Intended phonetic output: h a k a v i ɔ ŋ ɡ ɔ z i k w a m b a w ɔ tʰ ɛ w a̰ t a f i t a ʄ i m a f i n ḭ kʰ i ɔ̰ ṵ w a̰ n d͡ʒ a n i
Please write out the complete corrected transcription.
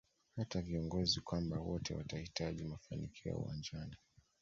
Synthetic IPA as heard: h a t a v i ɔ ŋ ɡ ɔ z i k w a m b a w ɔ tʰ ɛ w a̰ t a h i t a ʄ i m a f a n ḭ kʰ i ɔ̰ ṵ w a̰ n d͡ʒ a n i